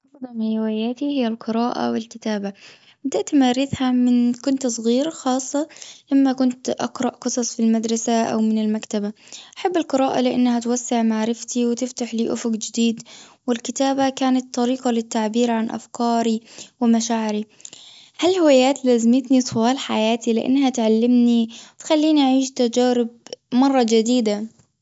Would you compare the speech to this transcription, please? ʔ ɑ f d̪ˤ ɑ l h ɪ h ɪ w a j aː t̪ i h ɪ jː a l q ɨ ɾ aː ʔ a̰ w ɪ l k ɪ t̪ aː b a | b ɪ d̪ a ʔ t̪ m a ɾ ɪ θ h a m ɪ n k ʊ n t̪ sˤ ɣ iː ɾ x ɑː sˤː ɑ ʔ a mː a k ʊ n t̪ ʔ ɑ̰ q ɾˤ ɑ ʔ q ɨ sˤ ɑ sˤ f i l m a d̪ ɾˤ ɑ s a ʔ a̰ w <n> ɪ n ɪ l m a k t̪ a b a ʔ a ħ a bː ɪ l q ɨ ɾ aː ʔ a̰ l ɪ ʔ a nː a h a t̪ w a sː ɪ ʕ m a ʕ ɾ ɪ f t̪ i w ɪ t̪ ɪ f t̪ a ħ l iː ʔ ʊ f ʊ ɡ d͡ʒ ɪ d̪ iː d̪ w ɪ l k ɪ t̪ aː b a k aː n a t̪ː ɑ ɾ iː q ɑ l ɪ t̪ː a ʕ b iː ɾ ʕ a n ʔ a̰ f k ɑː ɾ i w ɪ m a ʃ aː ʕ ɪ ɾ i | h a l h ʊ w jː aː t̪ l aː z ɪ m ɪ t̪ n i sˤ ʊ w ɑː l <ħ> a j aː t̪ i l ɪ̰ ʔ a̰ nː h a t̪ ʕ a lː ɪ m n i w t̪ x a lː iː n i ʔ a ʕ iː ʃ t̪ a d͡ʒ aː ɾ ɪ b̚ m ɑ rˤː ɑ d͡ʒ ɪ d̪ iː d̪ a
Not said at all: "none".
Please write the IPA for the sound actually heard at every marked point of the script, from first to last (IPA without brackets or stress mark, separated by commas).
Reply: m, ħ